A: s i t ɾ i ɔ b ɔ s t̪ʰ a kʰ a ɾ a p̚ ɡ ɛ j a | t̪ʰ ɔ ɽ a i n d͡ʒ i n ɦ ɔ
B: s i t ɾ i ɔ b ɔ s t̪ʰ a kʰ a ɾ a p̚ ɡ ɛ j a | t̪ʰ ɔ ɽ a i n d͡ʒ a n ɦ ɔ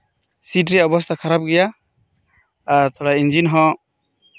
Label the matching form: A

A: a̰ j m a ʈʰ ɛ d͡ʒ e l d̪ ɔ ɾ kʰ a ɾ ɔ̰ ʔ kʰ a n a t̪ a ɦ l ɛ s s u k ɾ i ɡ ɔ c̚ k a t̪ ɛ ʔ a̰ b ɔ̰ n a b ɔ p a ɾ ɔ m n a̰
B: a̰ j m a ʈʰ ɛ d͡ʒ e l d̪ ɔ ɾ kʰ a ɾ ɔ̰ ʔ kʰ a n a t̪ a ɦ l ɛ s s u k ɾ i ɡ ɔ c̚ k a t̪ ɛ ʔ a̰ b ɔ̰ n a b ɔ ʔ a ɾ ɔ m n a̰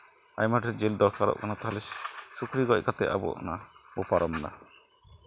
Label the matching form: A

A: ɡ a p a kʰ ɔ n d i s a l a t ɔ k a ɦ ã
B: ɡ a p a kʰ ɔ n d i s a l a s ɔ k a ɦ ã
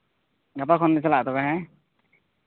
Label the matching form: A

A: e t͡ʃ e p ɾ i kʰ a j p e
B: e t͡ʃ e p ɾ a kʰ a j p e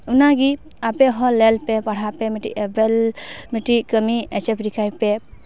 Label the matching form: A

